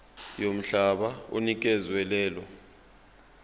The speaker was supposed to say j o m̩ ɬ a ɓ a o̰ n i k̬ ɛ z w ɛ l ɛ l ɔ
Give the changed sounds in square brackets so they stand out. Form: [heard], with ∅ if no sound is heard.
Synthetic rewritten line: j o m̩ ɬ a ɓ a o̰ n i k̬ ɛ z w ɛ l [ɛː] l ɔ

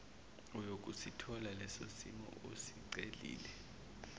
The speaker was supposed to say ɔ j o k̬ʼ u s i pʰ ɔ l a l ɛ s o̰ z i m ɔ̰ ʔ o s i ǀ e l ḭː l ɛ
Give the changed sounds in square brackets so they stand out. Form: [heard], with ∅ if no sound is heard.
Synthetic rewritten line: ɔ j o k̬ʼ u s i [tʰ] ɔ l a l ɛ s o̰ [s] i m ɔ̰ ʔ o s i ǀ e l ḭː l ɛ

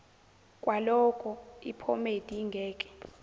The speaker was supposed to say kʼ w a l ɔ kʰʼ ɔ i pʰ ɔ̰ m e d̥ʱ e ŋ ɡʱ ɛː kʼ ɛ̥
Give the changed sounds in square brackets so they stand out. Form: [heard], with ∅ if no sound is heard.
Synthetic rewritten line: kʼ w a l ɔ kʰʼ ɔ i pʰ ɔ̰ m e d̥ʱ [i] ŋ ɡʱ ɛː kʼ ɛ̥

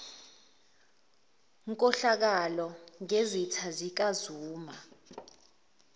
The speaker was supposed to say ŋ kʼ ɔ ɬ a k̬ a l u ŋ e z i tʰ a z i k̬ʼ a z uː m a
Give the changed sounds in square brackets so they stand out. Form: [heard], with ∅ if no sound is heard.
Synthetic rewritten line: ŋ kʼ ɔ ɬ a k̬ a l [ɔ] ŋ e z i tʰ a z i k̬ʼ a z uː m a

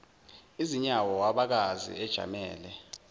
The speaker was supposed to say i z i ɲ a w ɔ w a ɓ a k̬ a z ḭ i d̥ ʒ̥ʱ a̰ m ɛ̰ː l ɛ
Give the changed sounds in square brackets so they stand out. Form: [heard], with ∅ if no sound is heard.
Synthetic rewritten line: i z i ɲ a w ɔ w a ɓ a k̬ a z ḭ [ɛ] d̥ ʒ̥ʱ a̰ m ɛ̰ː l ɛ

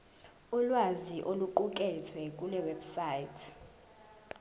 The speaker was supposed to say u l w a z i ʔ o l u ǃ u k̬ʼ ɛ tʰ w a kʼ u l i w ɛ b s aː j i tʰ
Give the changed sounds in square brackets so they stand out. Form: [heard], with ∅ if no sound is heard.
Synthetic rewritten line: u l w a z i ʔ o l u ǃ u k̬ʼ ɛ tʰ w [ɛ] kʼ u l [ɛ] w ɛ b s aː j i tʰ

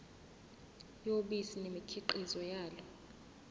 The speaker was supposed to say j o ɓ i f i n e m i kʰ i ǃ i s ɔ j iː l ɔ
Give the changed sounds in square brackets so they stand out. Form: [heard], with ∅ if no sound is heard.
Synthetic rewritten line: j o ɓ i [s] i n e m i kʰ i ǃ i [z] ɔ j [aː] l ɔ

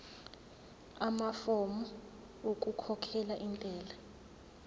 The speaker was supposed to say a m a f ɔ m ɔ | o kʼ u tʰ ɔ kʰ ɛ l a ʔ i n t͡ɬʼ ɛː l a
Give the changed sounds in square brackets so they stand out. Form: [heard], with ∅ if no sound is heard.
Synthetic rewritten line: a m a f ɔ m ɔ | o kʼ u [kʰ] ɔ kʰ ɛ l a ʔ i n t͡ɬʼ ɛː l a

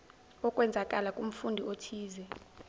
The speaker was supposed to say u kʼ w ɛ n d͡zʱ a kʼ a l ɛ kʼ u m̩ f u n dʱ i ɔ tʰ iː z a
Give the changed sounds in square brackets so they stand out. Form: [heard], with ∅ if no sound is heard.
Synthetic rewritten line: [ɔ] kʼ w ɛ n d͡zʱ a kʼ a l [a] kʼ u m̩ f u n dʱ i [o] tʰ iː z [ɛ]

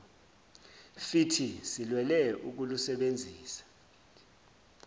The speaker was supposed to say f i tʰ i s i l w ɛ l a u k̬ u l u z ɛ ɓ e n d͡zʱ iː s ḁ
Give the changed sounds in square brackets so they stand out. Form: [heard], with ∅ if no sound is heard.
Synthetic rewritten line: f i tʰ i s i l w ɛ l [ɛ] u k̬ u l u [s] ɛ ɓ e n d͡zʱ iː s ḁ

